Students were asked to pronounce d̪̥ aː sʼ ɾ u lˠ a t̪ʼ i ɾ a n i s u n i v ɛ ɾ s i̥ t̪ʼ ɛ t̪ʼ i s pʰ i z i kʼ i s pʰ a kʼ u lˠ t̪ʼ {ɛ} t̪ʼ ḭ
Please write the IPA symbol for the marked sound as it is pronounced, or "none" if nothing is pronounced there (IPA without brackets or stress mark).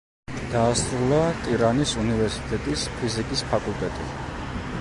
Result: ɛ